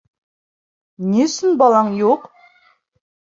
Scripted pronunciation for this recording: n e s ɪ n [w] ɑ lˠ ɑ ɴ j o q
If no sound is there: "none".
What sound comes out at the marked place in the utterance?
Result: b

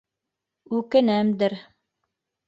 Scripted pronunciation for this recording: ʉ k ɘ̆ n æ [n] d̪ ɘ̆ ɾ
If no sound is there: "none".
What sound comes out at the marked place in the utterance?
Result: m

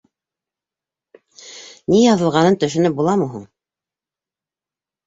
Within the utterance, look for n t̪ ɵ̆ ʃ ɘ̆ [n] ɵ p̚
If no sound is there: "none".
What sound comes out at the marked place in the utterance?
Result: n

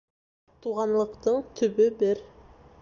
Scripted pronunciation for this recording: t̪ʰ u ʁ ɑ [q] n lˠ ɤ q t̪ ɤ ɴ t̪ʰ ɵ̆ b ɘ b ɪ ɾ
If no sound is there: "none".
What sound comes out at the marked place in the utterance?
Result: none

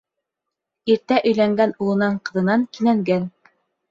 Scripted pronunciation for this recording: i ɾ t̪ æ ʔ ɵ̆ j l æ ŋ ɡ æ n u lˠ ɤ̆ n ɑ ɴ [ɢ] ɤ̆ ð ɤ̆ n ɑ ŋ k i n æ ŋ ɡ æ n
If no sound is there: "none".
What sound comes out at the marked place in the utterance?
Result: q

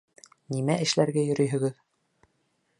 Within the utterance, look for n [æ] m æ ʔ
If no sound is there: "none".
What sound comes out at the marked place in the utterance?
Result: i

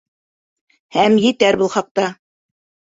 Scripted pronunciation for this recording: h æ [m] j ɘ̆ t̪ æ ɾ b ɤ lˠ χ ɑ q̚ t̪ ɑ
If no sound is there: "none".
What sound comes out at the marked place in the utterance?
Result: m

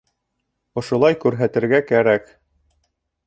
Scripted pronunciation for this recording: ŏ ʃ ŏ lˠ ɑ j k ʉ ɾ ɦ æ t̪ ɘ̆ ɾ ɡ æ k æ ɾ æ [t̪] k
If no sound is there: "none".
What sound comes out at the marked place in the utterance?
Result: none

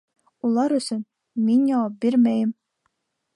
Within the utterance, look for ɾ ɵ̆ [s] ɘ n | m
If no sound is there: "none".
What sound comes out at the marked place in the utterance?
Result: s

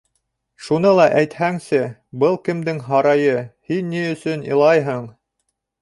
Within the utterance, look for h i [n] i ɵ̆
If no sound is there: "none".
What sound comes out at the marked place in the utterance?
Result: nː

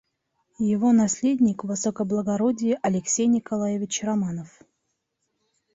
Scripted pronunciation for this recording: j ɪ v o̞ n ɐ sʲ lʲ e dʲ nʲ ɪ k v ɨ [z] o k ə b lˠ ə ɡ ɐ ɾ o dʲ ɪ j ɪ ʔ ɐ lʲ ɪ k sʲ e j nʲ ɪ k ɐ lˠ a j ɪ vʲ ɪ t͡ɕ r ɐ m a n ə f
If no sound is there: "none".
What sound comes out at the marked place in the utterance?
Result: s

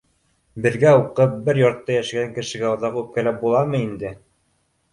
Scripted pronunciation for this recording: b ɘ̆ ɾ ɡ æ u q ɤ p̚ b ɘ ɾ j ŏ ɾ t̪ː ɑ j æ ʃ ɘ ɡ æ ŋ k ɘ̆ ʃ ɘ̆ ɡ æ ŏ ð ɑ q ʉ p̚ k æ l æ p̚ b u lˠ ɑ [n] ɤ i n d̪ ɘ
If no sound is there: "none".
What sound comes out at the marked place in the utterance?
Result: m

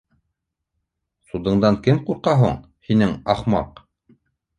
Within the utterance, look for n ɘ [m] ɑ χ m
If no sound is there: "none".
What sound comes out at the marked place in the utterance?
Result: ŋ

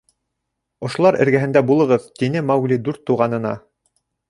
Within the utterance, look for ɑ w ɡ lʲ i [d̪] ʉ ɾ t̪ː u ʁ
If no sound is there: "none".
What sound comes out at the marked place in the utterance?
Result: d̪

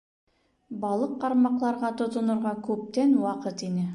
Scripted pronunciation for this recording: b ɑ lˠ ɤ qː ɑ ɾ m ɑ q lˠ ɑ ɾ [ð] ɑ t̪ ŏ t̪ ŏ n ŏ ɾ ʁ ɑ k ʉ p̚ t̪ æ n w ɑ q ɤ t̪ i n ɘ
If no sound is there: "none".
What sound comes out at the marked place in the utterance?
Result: ʁ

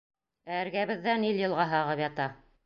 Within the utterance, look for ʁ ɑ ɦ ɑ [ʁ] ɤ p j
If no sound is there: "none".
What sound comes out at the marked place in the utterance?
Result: ʁ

